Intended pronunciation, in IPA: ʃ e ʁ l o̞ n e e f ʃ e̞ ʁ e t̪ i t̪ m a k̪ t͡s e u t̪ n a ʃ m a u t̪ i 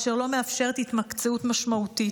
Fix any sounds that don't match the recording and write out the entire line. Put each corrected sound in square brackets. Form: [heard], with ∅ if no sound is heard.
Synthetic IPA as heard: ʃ e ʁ l o̞ [m] e [a] f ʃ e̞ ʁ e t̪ i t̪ m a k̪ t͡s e u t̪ [m] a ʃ m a u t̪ i